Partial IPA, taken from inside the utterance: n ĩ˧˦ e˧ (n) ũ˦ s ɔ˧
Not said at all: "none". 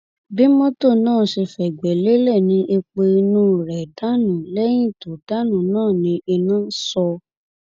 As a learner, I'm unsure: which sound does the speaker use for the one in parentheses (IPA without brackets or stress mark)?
n